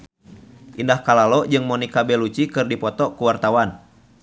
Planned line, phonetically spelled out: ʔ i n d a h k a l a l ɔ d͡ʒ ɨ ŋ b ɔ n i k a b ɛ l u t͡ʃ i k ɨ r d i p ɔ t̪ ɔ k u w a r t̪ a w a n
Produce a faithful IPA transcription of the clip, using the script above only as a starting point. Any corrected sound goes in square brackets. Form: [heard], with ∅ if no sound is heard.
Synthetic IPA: ʔ i n d a h k a l a l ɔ d͡ʒ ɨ ŋ [m] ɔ n i k a b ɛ l u t͡ʃ i k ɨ r d i p ɔ t̪ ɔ k u w a r t̪ a w a n